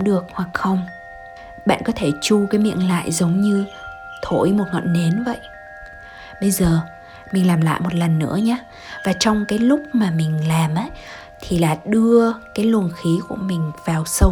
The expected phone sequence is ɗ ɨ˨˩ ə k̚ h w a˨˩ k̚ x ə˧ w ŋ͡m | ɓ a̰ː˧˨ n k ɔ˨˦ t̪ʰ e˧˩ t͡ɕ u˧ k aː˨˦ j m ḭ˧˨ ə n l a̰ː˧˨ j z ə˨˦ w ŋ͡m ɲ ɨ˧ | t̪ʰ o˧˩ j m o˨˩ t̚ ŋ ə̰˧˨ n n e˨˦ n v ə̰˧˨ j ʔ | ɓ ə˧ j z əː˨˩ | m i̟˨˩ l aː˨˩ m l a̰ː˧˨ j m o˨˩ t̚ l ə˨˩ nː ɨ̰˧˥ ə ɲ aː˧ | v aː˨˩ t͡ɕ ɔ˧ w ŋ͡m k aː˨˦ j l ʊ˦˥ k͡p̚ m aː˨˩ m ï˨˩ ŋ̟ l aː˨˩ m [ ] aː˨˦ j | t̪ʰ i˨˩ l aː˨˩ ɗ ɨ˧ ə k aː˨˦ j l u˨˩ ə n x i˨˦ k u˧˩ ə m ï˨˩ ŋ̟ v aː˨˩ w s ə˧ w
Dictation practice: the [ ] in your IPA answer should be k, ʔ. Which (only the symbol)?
ʔ